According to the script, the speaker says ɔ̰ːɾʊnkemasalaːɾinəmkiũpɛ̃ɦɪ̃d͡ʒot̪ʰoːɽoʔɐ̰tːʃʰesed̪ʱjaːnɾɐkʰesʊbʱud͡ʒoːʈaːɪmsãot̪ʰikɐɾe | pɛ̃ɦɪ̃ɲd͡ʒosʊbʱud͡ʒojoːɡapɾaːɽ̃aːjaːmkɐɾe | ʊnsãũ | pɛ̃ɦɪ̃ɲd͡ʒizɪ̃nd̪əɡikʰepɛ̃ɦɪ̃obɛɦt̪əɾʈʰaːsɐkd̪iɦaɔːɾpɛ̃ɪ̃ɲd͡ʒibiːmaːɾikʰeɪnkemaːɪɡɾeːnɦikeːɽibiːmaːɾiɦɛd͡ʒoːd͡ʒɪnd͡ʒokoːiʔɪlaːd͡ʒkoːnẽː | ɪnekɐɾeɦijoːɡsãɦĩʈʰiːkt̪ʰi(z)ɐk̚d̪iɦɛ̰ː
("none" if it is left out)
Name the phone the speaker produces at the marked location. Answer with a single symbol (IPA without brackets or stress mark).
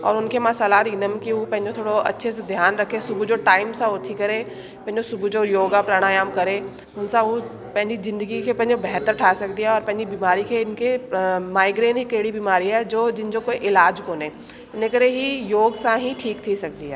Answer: s